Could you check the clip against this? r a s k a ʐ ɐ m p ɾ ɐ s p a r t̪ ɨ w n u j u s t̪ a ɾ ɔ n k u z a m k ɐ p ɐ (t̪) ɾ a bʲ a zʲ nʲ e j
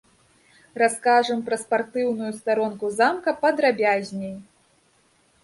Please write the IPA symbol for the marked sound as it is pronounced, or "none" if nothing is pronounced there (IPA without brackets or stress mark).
d̪